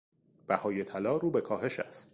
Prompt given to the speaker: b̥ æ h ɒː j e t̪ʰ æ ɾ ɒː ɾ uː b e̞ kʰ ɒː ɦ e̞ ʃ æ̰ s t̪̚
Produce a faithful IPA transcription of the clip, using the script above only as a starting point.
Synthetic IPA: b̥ æ h ɒː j e t̪ʰ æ l ɒː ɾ uː b e̞ kʰ ɒː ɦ e̞ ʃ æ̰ s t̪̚